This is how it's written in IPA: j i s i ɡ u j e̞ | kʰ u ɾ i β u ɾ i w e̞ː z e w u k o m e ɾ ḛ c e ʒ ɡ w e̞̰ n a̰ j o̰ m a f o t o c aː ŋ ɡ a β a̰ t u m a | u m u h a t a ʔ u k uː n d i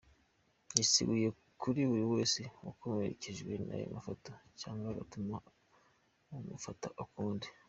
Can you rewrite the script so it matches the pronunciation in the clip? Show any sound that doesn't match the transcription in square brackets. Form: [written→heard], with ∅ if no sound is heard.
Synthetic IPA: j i s i ɡ u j e̞ | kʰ u ɾ i β u ɾ i w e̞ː [z→s] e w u k o m e ɾ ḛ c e ʒ ɡ w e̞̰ n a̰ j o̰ m a f o t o c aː ŋ ɡ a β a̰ t u m a | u m u [h→f] a t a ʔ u k uː n d i